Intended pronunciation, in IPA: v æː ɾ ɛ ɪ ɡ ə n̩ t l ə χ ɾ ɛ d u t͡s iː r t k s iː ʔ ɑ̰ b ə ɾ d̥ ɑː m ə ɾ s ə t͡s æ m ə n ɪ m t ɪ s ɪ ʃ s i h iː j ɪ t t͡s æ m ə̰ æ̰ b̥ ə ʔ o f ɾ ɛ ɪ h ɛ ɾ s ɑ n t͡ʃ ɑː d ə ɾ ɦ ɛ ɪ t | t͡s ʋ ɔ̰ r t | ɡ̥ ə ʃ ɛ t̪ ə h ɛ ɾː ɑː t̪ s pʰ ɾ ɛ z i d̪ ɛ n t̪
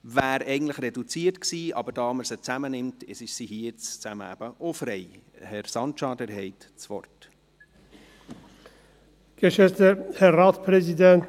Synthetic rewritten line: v æː ɾ ɛ ɪ ɡ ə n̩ t l ə χ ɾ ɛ d u t͡s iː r t k s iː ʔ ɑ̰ b ə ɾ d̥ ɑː m ə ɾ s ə t͡s æ m ə n ɪ m t ɪ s ɪ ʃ s i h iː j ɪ t͡s t͡s æ m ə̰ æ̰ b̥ ə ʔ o f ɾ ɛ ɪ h ɛ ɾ s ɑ n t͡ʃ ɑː d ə ɾ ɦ ɛ ɪ t | t͡s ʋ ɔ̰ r t | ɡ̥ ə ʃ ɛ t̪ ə h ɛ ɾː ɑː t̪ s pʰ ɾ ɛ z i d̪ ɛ n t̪